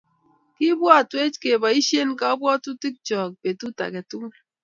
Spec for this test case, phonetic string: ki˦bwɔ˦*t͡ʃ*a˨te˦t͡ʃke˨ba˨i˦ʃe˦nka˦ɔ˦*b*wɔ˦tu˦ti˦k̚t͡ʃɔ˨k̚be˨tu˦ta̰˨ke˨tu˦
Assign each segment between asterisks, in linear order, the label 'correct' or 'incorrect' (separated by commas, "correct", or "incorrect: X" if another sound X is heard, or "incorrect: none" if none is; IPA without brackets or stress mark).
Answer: incorrect: none, correct